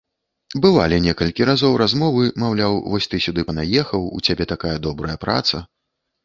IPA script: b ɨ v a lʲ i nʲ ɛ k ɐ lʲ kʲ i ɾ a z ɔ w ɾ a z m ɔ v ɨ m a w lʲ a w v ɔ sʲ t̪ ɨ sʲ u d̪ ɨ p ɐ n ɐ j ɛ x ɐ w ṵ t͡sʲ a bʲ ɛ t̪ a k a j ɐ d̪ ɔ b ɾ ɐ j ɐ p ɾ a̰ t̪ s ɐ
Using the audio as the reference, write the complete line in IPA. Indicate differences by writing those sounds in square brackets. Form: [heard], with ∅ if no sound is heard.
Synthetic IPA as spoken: b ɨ v a lʲ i nʲ ɛ k ɐ lʲ kʲ i ɾ a z ɔ w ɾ a z m ɔ v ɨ m a w lʲ a w v ɔ sʲ t̪ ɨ sʲ u d̪ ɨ p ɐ n [a] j ɛ x ɐ w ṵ t͡sʲ a bʲ ɛ t̪ a k a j ɐ d̪ ɔ b ɾ ɐ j ɐ p ɾ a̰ t̪ s ɐ

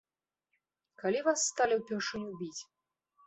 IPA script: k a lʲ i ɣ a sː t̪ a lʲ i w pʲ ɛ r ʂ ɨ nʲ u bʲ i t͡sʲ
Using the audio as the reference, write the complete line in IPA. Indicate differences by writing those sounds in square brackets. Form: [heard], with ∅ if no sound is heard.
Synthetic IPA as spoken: k a lʲ i [v] a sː t̪ a lʲ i w pʲ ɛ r ʂ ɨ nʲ u bʲ i t͡sʲ

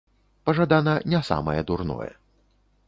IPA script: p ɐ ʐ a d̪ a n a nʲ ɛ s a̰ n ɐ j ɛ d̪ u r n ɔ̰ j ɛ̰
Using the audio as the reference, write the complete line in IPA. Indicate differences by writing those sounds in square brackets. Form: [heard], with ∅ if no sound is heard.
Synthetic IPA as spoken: p ɐ ʐ a d̪ a n [ɐ] nʲ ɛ s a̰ [m] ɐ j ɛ d̪ u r n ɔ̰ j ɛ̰

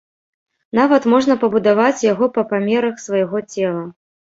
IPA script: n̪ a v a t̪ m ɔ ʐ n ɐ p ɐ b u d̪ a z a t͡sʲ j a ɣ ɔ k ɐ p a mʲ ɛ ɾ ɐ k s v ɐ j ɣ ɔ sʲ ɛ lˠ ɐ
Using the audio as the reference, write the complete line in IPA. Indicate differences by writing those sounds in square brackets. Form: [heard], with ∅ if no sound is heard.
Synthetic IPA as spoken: n̪ a v [ɐ] t̪ m ɔ ʐ n ɐ p ɐ b u d̪ a [v] a t͡sʲ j a ɣ ɔ [p] ɐ p a mʲ ɛ ɾ ɐ [x] s v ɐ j ɣ ɔ [t͡sʲ] ɛ lˠ ɐ

